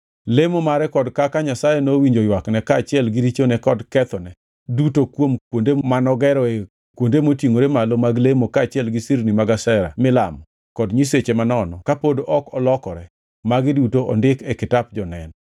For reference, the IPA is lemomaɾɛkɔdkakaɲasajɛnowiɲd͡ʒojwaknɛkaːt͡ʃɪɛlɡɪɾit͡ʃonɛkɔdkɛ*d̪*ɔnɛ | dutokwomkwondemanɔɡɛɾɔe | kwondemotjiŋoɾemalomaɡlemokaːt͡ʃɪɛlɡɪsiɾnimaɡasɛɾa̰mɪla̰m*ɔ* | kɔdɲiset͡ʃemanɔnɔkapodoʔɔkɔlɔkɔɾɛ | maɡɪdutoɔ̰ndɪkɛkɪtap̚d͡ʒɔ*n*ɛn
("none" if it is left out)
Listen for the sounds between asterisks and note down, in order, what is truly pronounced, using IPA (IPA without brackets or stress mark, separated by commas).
t̪, ɔ, n